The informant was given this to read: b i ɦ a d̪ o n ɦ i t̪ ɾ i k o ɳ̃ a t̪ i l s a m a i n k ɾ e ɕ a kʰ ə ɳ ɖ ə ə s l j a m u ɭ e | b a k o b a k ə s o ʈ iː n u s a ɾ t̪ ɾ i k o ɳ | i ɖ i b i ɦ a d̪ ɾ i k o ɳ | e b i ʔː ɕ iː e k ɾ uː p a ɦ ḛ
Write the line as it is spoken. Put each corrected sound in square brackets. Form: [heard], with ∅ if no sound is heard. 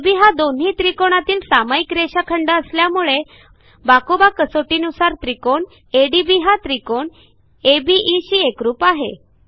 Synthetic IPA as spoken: b i ɦ a d̪ o n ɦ i t̪ ɾ i k o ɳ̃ a t̪ [iː] l s a m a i [∅] k ɾ e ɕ a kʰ ə ɳ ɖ ə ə s l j a m u ɭ e | b a k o b a k ə s o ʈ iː n u s a ɾ t̪ ɾ i k o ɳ | [e] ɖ i b i ɦ a [t̪] ɾ i k o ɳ | e b i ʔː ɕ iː e k ɾ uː p a ɦ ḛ